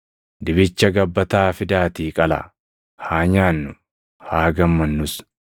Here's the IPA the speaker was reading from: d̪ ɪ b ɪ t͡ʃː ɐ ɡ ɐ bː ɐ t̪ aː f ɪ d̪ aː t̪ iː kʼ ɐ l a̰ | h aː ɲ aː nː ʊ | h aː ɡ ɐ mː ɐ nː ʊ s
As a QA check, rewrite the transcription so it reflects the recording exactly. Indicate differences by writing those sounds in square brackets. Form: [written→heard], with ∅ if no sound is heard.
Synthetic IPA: d̪ ɪ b ɪ t͡ʃː ɐ ɡ ɐ bː ɐ t̪ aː f ɪ d̪ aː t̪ iː kʼ ɐ l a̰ | h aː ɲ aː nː ʊ | h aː ɡ ɐ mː ɐ nː ʊ s